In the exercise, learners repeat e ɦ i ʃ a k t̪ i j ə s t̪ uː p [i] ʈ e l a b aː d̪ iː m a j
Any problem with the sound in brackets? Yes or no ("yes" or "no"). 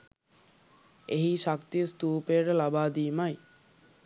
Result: yes